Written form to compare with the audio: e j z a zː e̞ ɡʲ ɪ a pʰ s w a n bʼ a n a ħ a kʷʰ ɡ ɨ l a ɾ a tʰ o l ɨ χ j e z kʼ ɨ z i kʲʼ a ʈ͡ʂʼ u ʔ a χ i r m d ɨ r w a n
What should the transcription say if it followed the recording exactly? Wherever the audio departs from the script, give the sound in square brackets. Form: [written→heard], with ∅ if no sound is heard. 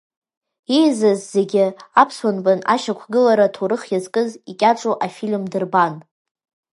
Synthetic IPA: e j z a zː e̞ ɡʲ ɪ a pʰ s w a n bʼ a n a [ħ→ʃ] a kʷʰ ɡ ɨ l a ɾ a tʰ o [l→ɾ] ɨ χ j [e→a] z kʼ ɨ z i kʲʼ a ʈ͡ʂʼ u ʔ a [χ→f] i [r→l] m d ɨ r [w→b] a n